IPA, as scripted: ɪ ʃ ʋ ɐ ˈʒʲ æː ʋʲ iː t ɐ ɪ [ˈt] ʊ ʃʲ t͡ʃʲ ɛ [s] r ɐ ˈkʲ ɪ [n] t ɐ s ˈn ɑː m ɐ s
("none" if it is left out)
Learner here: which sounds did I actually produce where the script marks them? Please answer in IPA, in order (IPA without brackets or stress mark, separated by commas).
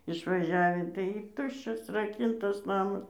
t, s, n